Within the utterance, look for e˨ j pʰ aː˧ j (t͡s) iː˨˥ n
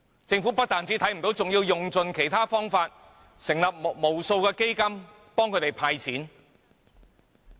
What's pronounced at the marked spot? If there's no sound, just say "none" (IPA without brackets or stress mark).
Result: t͡sʰ